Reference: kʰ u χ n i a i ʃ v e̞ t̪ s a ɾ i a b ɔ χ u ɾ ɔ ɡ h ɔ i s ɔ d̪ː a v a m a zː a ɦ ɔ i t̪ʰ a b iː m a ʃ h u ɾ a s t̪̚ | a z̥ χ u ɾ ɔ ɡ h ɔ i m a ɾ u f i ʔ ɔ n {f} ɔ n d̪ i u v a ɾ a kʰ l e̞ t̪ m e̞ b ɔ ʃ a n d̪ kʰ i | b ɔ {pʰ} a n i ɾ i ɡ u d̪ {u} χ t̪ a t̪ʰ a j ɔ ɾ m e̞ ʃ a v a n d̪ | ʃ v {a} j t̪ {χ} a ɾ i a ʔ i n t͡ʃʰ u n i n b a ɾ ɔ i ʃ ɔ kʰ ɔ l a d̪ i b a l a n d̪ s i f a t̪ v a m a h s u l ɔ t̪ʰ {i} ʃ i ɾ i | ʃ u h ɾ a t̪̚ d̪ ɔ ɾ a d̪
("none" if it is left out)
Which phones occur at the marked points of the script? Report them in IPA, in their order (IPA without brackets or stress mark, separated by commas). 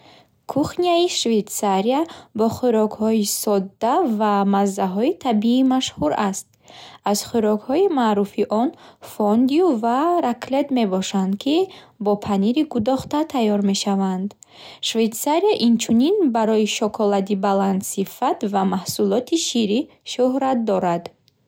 f, pʰ, ɔ, e, s, i